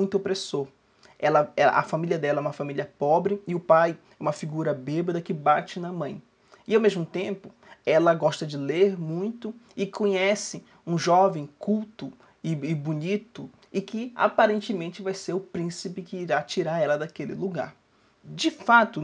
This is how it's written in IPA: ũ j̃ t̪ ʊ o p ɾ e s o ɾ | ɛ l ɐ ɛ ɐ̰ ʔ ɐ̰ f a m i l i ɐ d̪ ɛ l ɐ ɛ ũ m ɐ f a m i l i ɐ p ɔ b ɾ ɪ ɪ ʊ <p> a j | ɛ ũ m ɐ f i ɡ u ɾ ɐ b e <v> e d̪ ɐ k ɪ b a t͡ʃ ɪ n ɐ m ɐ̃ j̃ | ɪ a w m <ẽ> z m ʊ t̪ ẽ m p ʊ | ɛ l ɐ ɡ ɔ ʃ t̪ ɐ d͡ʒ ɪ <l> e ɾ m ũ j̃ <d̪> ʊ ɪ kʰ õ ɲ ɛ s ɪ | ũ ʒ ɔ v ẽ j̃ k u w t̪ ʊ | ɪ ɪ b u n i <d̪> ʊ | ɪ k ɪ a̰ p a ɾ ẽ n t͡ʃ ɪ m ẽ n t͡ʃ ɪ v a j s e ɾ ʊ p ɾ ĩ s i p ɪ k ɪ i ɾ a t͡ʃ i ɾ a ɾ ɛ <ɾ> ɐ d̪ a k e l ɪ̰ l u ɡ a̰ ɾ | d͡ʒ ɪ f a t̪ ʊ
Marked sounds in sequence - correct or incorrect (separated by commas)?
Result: correct, incorrect, incorrect, correct, incorrect, incorrect, incorrect